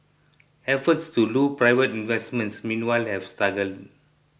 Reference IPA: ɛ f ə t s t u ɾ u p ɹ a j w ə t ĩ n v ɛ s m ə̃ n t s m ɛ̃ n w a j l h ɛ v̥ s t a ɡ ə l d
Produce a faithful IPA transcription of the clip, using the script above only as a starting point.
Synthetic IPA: ɛ f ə t s t u l u p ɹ a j v ə t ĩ n v ɛ s m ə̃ n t s m ĩ n w a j l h ɛ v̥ s t a ɡ ə l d